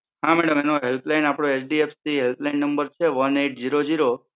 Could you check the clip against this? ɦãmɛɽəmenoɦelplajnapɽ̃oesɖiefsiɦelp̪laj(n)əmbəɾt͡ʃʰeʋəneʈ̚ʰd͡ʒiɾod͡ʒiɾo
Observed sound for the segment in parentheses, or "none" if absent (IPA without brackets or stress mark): nː